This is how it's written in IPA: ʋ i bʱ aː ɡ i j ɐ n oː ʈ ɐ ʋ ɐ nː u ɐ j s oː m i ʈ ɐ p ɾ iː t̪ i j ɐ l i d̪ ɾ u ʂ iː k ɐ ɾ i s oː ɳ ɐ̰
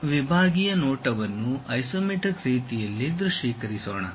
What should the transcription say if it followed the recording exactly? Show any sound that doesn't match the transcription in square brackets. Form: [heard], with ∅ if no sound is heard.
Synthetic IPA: ʋ i bʱ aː ɡ i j ɐ n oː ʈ ɐ ʋ ɐ nː u ɐ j s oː m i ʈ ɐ [k] ɾ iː t̪ i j ɐ [lː] i d̪ ɾ u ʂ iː k ɐ ɾ i s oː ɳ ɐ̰